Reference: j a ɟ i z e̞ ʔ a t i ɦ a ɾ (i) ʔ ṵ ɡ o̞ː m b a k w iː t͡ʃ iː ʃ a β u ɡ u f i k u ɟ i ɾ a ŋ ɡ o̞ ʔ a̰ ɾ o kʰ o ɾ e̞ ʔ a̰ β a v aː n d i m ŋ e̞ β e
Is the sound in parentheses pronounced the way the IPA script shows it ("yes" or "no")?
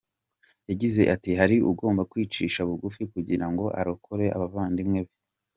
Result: yes